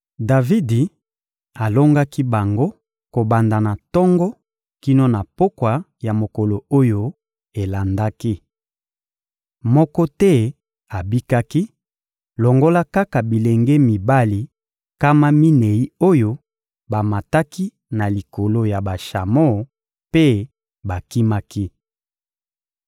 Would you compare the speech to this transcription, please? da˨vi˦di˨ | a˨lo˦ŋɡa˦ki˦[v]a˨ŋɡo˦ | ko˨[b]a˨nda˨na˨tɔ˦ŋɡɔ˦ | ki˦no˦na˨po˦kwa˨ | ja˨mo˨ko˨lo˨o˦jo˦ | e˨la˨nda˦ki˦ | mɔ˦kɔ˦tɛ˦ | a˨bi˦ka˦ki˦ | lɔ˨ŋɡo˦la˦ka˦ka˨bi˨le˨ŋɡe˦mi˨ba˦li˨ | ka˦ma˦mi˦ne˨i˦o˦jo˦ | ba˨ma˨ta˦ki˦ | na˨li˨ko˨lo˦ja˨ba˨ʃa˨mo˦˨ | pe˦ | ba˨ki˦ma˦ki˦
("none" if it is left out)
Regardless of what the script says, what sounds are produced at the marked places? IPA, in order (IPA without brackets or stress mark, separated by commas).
b, b